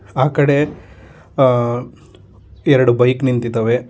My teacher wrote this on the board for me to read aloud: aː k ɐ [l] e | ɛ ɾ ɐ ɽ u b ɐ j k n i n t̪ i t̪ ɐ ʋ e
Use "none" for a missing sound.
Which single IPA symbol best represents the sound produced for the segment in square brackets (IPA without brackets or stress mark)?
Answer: ɽ